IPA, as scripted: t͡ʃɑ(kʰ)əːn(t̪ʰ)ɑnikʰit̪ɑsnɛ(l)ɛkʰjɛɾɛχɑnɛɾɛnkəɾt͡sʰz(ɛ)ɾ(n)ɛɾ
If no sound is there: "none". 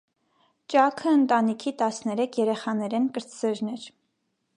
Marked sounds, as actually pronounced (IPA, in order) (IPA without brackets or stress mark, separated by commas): kʰ, t̪, ɾ, ɛ, n